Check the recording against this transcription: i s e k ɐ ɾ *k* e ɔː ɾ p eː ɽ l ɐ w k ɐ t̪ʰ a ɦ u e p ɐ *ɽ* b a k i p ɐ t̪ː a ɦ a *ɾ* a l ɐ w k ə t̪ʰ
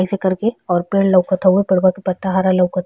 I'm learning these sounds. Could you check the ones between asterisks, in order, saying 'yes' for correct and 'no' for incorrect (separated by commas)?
yes, yes, yes